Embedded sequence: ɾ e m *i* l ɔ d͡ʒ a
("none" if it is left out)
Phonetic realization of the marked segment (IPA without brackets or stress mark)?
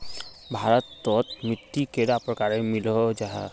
i